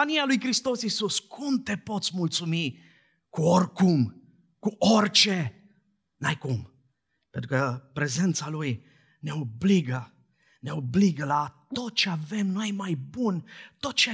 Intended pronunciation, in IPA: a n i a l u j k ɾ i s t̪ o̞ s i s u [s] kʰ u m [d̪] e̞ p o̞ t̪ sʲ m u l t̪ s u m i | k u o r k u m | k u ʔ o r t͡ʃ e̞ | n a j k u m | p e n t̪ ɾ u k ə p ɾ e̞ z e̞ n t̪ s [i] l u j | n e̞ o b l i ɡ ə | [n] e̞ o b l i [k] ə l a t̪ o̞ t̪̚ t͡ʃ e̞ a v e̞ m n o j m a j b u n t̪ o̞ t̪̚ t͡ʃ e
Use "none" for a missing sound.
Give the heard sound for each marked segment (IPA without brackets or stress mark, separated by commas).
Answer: s, t̪, a, n, ɡ